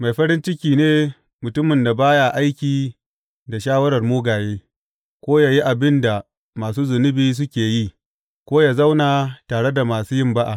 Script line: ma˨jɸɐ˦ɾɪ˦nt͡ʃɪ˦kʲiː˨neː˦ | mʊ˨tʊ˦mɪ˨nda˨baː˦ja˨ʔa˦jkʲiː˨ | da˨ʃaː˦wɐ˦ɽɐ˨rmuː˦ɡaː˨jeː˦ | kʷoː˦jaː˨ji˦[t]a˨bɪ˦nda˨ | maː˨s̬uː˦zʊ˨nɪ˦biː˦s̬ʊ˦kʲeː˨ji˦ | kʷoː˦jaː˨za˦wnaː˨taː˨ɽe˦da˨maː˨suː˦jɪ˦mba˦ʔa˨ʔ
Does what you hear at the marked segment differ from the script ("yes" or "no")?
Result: yes